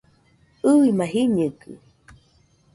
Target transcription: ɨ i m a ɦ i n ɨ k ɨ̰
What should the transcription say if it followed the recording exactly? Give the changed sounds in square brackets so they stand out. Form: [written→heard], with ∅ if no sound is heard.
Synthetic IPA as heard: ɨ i m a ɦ i [n→ɲ] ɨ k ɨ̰